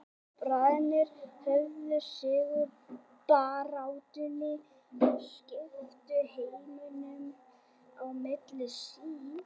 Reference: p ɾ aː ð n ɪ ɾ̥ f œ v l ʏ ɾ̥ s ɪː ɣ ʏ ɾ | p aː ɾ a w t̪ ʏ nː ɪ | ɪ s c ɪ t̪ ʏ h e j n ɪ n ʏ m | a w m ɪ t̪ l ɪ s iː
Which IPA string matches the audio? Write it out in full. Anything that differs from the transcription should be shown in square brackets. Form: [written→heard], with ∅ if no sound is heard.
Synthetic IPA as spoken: p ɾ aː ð n ɪ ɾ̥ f œ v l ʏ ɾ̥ s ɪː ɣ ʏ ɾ | p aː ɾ a w t̪ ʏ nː ɪ | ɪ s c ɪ t̪ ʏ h e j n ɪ n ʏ m | a w m ɪ t̪ l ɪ s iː